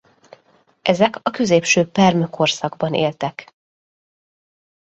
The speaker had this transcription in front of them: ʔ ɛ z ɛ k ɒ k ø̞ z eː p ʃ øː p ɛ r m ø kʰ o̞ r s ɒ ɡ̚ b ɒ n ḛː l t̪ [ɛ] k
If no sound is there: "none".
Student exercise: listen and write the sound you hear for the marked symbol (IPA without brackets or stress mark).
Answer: ɛ